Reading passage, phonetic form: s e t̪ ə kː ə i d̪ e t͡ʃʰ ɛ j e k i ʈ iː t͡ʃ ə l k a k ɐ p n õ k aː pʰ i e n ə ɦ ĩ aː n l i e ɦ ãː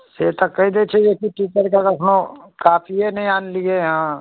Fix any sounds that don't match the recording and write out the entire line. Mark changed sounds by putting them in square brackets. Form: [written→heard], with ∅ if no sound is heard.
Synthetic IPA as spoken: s e t̪ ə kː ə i d̪ e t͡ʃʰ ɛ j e k i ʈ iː t͡ʃ ə [l→ɾ] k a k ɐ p n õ k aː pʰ i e n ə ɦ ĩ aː n l i e ɦ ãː